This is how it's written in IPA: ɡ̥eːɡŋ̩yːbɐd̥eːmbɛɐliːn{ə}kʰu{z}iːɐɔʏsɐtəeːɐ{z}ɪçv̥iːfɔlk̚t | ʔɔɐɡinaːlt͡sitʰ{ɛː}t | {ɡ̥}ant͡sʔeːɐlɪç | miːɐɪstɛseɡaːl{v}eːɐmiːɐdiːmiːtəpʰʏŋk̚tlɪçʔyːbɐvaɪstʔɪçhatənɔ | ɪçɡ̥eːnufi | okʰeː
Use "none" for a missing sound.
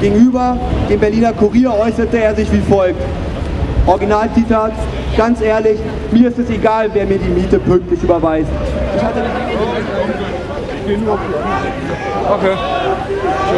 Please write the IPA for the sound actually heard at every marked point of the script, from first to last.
ɐ, ʁ, z, aː, ɡ̥, v

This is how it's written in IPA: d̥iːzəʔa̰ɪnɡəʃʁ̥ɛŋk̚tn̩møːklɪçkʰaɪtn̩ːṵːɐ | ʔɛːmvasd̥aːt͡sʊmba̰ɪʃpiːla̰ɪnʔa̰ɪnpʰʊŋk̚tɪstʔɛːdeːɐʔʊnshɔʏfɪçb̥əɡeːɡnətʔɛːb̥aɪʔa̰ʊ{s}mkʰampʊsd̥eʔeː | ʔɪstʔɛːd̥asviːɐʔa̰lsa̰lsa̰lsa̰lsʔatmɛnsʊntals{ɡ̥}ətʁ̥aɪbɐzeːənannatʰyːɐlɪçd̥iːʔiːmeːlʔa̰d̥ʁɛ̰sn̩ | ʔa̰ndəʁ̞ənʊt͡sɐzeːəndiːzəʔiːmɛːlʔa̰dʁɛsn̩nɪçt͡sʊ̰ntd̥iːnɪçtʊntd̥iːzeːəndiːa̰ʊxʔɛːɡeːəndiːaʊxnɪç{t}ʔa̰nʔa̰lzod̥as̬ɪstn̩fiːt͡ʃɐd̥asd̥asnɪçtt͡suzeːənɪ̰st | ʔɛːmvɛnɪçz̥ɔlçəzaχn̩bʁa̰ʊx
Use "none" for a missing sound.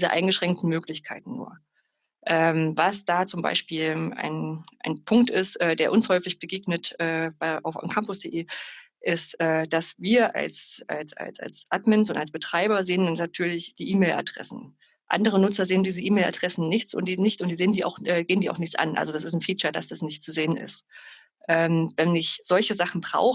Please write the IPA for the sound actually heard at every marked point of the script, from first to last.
f, b̥, t͡s

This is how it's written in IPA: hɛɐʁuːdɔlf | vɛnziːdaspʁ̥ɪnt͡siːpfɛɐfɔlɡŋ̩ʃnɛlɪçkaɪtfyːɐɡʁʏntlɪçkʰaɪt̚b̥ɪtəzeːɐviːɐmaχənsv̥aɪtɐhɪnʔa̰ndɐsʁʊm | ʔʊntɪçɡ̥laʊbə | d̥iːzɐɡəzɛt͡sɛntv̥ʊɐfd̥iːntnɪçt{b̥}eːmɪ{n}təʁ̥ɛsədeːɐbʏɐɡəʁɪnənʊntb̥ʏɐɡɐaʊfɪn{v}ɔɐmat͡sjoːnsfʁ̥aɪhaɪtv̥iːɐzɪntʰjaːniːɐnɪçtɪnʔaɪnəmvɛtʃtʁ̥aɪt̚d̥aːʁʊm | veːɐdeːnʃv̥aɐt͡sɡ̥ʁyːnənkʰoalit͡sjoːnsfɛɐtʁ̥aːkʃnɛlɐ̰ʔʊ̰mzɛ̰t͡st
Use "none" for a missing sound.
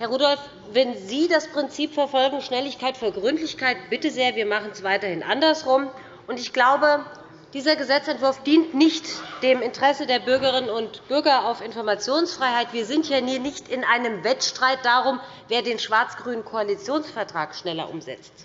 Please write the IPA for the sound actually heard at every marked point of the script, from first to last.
d̥, n, f

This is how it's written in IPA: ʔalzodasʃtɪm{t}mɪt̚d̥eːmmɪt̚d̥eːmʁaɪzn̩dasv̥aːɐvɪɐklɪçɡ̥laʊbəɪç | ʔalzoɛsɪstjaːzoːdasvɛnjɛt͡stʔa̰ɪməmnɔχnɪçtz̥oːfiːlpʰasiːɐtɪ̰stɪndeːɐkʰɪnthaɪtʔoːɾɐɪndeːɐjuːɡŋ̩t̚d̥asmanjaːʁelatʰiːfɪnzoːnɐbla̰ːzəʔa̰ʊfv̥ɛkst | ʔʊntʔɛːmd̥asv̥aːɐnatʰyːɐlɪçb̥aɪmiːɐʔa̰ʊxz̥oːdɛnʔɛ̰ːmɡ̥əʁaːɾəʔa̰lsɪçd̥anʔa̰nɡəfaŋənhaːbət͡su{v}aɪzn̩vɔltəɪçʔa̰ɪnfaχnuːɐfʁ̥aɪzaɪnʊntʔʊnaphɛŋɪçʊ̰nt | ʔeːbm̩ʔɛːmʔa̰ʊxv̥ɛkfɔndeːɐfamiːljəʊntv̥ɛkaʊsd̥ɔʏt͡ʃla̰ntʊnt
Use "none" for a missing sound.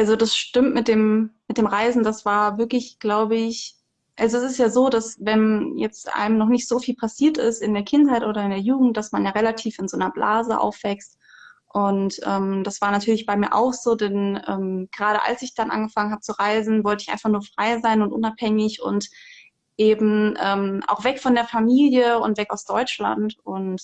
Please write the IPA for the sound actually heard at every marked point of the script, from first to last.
t, ʁ

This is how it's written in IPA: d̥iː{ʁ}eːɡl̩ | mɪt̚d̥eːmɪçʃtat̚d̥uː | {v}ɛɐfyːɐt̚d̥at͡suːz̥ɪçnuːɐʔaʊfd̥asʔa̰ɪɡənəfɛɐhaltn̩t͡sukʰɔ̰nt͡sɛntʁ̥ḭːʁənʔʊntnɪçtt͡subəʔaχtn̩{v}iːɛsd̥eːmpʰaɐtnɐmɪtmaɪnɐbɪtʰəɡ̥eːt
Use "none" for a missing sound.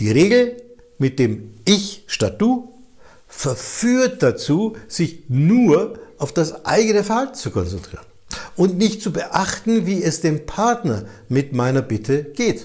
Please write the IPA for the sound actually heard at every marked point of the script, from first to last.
ʁ, f, v

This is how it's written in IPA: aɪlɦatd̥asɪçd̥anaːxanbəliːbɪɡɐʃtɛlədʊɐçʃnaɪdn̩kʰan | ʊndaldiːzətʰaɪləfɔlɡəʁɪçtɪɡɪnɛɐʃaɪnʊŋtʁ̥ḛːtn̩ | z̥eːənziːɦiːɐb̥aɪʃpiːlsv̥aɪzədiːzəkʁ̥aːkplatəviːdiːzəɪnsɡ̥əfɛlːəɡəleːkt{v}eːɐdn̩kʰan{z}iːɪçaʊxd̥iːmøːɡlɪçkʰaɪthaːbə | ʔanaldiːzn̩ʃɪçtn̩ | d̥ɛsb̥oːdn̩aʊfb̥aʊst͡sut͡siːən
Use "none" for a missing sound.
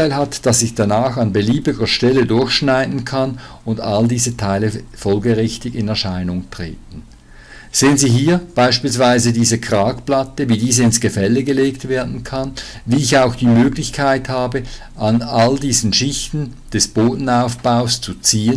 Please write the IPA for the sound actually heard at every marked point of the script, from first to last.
v, v

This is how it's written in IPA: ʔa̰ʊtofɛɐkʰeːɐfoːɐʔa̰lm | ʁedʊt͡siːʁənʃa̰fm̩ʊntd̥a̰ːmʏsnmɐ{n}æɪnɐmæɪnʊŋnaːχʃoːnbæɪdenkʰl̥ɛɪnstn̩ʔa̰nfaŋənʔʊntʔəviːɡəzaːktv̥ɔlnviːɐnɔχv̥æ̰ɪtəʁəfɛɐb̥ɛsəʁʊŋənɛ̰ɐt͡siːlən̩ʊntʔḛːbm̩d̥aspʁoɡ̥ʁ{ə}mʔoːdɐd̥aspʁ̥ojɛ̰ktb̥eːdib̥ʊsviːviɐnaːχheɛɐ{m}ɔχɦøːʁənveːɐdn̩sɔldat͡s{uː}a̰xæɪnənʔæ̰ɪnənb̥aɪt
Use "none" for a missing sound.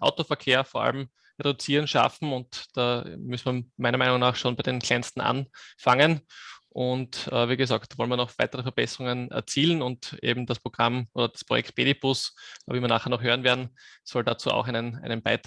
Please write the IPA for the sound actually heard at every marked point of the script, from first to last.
m, a, n, uː

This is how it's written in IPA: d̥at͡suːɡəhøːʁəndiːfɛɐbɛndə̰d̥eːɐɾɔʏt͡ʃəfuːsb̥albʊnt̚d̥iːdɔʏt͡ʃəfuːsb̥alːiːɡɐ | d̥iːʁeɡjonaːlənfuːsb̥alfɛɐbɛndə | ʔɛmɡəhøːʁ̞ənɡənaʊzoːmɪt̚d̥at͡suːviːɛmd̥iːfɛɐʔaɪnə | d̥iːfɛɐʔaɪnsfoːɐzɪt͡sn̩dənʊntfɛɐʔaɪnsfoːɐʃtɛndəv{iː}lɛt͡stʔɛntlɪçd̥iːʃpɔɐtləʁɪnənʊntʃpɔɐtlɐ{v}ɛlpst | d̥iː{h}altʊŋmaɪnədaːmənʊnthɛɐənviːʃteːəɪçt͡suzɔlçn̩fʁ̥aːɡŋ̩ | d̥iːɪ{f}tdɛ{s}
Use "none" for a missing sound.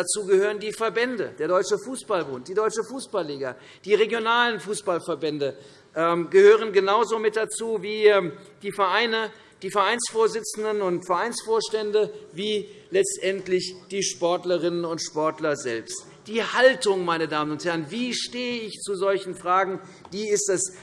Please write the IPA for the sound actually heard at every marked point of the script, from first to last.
iː, z, h, s, s

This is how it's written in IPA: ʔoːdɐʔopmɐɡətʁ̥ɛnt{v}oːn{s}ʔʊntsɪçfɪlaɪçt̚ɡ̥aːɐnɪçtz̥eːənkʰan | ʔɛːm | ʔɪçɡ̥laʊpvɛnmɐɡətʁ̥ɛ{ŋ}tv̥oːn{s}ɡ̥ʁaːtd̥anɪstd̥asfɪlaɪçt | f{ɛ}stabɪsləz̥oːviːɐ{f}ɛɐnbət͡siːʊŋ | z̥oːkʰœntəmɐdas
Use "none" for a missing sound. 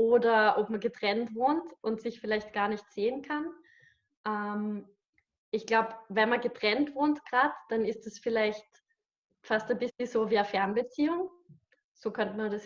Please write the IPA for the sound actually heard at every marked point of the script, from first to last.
v, t, n, t, a, f

